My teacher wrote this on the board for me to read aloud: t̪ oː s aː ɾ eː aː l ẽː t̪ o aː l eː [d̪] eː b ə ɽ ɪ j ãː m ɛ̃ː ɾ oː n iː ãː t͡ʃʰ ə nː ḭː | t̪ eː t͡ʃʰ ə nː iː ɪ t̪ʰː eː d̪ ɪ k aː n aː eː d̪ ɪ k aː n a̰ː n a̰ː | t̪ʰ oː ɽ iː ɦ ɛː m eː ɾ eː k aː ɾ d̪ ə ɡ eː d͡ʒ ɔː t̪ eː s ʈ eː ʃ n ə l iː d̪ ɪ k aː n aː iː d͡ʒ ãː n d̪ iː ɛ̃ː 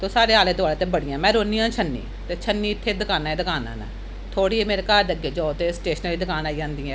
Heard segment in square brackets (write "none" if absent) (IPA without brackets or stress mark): t̪